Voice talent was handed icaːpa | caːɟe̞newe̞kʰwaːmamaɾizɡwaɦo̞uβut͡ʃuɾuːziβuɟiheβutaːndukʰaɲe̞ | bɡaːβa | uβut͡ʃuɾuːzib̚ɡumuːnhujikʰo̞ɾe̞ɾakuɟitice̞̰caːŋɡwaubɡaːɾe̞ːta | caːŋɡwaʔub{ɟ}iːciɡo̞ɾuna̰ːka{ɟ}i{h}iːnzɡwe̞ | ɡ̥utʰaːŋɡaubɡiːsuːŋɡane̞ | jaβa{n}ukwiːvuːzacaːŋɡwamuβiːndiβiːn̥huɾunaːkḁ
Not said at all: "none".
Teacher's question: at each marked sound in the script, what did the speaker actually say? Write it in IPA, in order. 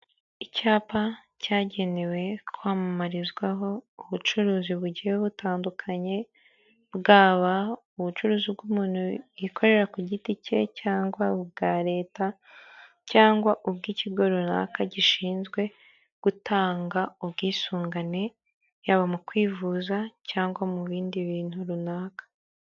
ɡ, ɟ, ʃ, m

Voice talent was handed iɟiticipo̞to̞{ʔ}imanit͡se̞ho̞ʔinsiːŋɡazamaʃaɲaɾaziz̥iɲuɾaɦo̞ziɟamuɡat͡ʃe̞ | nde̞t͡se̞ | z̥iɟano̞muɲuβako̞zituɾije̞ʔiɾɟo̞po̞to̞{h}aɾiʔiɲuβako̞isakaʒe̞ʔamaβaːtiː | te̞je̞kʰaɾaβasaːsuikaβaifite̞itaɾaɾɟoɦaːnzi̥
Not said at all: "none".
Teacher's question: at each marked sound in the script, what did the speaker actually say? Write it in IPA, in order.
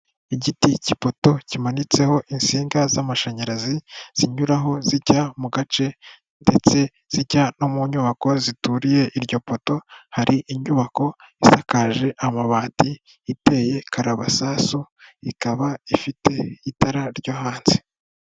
c, h

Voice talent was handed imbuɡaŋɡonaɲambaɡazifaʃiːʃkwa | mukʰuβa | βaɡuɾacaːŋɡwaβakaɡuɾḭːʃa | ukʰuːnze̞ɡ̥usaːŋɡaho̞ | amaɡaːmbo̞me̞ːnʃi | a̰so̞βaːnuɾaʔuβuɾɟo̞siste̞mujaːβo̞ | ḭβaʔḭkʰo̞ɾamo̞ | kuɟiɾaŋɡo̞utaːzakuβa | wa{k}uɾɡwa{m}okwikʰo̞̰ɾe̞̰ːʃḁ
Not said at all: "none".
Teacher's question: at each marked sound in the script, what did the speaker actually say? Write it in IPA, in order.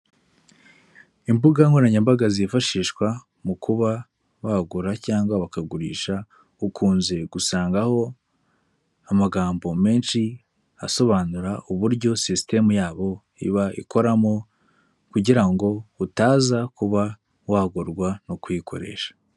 ɡ, n

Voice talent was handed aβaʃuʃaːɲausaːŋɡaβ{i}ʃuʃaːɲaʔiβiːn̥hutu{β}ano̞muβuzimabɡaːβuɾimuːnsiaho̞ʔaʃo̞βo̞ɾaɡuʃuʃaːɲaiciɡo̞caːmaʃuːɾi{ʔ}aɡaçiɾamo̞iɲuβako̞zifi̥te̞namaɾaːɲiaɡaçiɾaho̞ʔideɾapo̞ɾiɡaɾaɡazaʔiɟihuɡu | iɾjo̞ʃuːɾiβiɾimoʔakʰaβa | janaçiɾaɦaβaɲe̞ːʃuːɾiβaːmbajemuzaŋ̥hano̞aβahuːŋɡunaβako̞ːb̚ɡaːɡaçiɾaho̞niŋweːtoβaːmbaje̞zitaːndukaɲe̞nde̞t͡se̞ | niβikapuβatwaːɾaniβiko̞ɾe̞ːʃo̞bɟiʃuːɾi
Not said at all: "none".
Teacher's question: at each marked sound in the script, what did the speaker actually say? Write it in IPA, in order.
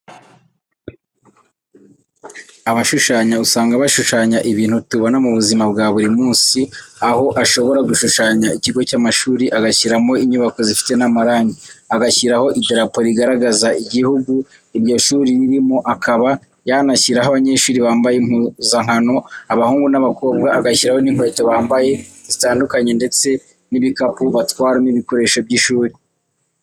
a, β, ʔ

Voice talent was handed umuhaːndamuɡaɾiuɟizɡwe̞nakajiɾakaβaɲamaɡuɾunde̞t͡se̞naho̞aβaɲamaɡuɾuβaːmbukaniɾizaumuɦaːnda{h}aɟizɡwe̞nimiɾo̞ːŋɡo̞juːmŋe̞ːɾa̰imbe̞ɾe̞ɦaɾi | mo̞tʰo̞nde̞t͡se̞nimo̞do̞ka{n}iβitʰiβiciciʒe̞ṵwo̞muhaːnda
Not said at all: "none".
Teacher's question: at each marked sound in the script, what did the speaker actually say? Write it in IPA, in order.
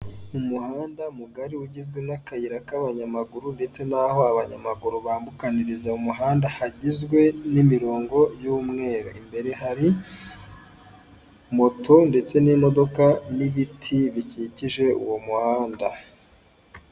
h, n

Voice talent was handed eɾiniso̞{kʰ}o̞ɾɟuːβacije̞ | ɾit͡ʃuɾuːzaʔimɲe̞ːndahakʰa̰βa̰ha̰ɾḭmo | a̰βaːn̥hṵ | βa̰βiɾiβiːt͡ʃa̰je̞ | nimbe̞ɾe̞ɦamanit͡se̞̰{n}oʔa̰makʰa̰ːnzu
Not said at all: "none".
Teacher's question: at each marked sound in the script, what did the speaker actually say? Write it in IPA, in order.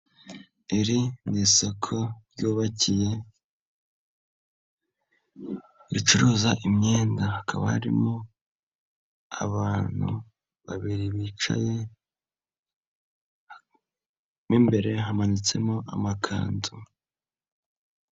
kʰ, m

